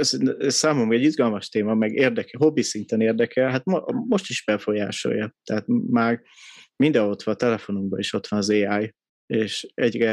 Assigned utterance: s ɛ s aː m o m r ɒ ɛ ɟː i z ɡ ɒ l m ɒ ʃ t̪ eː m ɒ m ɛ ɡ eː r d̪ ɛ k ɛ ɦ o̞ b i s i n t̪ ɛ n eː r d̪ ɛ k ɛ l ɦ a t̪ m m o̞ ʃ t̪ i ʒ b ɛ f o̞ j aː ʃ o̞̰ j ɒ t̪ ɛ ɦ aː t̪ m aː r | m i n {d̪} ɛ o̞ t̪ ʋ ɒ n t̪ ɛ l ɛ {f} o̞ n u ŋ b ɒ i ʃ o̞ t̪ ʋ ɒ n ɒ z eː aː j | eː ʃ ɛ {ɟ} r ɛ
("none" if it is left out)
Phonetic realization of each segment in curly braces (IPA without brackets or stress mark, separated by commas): d̪, f, ɟ